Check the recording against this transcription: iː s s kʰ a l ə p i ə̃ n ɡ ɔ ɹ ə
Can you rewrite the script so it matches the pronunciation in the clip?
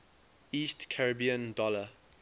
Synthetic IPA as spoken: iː s t kʰ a ɹ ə b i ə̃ n d ɔ l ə